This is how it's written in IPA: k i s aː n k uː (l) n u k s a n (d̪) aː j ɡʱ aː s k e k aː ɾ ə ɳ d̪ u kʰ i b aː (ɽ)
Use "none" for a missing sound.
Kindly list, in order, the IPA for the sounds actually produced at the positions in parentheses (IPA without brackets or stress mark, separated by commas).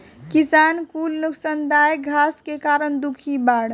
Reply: l, d̪, ɽ